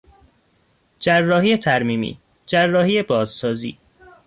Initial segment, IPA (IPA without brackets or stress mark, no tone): d͡ʒ